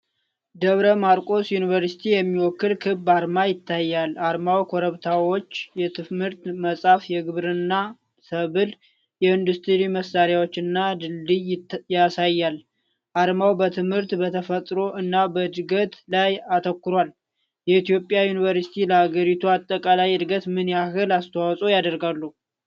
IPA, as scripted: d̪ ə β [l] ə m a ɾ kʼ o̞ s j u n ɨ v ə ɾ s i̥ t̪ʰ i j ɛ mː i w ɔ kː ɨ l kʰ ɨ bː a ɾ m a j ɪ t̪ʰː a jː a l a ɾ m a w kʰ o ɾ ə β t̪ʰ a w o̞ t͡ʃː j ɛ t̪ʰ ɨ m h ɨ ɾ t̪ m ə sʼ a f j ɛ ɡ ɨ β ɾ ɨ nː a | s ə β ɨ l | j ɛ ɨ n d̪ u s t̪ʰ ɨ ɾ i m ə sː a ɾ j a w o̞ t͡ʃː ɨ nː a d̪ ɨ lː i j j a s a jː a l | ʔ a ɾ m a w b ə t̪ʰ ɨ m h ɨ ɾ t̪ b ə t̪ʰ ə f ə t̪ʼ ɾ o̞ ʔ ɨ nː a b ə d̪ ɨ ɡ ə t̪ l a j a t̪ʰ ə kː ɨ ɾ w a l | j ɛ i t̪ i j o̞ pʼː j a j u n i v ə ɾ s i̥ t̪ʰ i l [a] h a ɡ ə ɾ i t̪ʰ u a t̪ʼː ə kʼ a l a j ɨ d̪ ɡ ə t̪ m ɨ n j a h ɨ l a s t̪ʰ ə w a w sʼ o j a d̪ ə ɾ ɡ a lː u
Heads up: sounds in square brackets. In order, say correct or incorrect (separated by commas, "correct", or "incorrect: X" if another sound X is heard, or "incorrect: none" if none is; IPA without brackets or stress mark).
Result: incorrect: ɾ, incorrect: ə